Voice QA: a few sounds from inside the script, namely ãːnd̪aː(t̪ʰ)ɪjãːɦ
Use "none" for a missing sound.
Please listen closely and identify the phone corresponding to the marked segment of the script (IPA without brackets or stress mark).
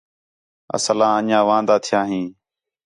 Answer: t̪ʰ